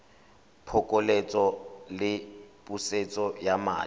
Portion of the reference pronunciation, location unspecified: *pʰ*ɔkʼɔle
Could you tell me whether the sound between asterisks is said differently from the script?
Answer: no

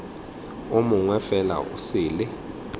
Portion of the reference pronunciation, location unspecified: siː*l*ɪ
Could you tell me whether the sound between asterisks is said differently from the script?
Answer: no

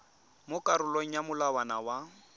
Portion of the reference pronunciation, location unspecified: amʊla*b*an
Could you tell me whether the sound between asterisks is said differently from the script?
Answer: yes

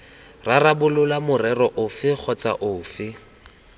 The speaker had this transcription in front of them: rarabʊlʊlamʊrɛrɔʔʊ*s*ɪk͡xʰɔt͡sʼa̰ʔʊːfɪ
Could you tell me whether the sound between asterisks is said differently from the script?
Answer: yes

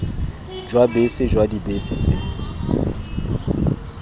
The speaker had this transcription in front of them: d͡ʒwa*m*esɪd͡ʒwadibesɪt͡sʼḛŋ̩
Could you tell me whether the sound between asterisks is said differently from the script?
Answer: yes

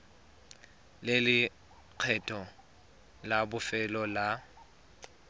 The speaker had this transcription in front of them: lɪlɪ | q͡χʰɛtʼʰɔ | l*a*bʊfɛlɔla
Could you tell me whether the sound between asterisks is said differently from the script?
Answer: no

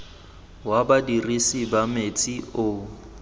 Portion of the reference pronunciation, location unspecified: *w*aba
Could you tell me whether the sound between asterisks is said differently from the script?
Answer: no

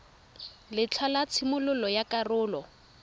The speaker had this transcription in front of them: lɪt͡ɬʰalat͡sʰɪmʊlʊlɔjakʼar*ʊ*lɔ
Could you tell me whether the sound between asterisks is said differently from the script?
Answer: yes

